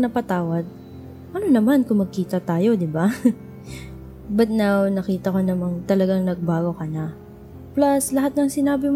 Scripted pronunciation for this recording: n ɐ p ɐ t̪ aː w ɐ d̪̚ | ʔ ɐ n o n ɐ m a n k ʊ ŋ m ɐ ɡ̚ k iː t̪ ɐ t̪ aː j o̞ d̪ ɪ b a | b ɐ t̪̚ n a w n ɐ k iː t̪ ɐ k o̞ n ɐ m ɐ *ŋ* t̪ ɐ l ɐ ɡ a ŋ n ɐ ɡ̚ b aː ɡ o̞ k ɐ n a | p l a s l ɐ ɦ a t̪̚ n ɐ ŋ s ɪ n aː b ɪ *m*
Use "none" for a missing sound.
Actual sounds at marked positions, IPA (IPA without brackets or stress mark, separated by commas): ŋ, m